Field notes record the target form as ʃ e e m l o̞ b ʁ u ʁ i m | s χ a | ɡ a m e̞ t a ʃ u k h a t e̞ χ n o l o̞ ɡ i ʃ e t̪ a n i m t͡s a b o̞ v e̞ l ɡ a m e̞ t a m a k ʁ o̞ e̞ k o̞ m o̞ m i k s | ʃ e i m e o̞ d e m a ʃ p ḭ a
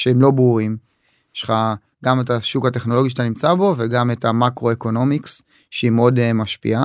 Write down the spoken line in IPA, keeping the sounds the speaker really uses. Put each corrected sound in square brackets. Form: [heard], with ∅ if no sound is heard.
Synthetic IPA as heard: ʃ e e m l o̞ b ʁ u ʁ i m | [ʃ] χ a | ɡ a m e̞ t a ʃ u k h a t e̞ χ n o l o̞ ɡ i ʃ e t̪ a n i m t͡s a b o̞ v e̞ [∅] ɡ a m e̞ t a m a k ʁ o̞ e̞ k o̞ [n] o̞ m i k s | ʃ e i m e o̞ d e m a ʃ p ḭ a